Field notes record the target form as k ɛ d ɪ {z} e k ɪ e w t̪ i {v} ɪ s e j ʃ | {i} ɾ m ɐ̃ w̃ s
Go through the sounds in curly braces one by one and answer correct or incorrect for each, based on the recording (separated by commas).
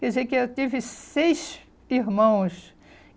correct, correct, correct